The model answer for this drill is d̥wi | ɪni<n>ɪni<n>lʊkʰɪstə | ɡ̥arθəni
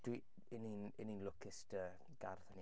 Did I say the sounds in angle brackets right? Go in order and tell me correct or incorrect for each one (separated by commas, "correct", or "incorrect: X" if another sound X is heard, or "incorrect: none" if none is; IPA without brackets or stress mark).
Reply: correct, correct